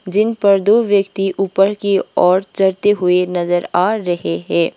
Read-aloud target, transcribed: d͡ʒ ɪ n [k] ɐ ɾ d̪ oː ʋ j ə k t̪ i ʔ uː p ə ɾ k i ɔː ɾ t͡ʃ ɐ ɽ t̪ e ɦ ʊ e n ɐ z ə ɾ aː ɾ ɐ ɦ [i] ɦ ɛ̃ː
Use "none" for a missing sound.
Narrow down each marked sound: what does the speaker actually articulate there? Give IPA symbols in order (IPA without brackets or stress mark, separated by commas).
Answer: p, e